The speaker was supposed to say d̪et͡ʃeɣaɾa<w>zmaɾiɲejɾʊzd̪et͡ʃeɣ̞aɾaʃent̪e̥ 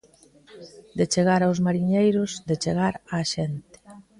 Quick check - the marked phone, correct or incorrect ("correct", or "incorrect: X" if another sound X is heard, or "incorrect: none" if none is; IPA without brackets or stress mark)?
correct